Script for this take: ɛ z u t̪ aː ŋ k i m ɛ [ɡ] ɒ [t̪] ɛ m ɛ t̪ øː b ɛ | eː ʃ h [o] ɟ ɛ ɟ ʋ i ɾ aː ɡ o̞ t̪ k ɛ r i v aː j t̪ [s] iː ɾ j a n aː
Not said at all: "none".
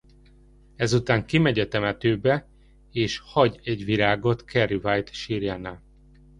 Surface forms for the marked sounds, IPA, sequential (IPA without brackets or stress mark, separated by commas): ɟ, t̪, ɒ, ʃ